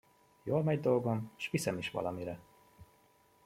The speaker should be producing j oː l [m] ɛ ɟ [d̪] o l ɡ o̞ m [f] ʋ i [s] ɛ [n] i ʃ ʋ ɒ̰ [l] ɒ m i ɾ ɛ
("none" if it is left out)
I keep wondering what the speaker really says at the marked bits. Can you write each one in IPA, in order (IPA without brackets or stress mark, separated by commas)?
m, d̪, ʃ, s, m, l